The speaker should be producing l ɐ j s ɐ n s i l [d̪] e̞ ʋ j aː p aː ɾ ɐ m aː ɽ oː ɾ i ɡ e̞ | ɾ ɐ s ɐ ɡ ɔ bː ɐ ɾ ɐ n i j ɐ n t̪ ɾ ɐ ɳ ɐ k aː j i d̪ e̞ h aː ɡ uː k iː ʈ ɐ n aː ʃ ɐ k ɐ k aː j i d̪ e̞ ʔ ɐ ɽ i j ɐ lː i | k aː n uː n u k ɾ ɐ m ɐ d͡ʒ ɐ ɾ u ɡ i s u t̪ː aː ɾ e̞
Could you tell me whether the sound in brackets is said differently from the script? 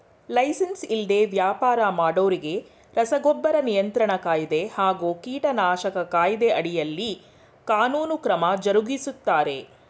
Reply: no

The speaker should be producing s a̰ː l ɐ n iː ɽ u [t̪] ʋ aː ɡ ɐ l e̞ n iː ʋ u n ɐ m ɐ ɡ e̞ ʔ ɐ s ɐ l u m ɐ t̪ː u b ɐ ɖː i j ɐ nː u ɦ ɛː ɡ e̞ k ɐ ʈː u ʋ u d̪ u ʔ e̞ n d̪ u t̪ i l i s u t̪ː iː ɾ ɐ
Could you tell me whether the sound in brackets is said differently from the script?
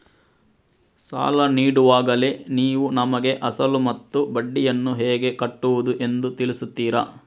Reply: yes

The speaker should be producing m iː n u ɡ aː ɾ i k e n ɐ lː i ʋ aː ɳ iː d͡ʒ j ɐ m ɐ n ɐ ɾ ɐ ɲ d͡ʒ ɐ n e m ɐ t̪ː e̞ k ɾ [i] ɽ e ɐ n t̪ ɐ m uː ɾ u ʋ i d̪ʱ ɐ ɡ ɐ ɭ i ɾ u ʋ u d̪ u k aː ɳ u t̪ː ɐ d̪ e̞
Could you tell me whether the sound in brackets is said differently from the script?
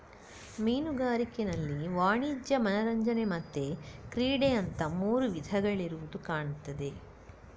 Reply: yes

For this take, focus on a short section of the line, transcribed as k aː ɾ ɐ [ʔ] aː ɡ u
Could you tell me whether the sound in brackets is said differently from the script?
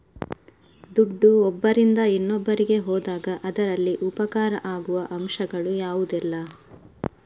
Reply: no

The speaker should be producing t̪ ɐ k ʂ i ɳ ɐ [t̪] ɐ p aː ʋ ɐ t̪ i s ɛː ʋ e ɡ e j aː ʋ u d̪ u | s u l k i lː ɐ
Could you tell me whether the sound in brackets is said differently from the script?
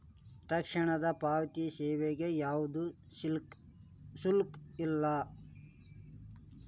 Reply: yes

